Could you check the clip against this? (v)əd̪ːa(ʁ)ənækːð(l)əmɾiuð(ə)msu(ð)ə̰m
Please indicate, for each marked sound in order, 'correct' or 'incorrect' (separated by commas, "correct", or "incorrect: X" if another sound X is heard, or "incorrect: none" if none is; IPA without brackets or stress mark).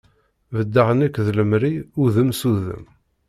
correct, correct, correct, correct, correct